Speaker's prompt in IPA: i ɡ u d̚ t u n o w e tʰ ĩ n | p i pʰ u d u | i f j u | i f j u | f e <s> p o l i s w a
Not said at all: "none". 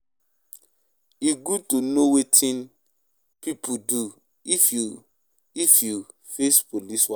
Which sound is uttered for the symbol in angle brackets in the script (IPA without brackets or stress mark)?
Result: s